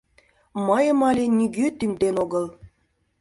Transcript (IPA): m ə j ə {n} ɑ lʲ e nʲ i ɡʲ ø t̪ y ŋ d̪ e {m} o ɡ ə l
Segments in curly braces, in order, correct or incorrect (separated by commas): incorrect, incorrect